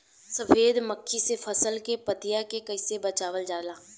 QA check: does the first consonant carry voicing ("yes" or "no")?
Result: no